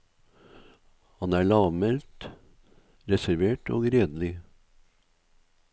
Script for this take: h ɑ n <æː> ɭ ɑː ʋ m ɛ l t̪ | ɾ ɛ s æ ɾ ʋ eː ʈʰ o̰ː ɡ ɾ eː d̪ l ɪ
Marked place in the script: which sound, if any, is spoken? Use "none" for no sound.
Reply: æː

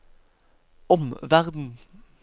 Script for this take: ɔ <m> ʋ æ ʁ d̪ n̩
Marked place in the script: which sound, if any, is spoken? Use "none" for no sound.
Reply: m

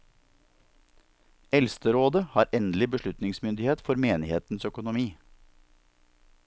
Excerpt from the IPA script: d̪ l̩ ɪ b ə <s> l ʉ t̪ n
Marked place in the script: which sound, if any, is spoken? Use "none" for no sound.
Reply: ʃ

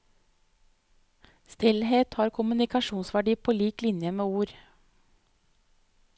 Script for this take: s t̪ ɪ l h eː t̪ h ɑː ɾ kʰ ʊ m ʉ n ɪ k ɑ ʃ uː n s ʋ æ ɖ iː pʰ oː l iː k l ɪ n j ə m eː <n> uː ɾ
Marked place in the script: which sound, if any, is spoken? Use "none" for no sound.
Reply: none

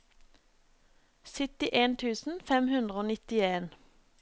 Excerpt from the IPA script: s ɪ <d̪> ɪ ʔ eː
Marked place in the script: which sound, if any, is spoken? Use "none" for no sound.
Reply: t̪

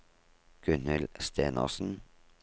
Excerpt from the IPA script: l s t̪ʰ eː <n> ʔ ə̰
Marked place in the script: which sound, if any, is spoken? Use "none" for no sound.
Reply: n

